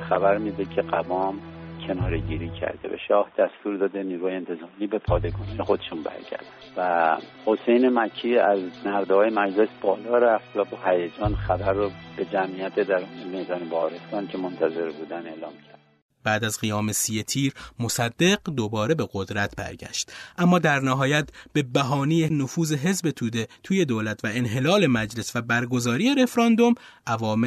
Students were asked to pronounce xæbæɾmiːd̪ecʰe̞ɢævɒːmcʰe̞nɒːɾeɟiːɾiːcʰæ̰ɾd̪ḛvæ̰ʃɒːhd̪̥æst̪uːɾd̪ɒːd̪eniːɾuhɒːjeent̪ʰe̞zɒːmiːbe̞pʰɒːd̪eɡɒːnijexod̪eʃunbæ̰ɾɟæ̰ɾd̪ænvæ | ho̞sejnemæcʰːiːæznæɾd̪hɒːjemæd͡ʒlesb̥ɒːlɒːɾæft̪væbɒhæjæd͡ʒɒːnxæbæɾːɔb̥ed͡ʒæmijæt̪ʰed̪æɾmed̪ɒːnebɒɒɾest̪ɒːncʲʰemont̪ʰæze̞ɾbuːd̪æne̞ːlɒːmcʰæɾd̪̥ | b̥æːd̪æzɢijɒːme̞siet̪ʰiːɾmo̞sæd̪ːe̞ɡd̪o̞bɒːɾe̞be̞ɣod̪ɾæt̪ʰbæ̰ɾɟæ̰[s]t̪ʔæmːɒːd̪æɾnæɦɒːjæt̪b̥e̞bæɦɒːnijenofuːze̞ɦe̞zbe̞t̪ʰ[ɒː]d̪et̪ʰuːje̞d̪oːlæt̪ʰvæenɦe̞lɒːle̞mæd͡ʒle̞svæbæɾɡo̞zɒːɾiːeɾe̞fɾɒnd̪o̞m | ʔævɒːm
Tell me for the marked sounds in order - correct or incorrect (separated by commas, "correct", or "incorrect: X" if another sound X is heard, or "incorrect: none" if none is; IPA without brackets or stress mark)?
incorrect: ʃ, incorrect: uː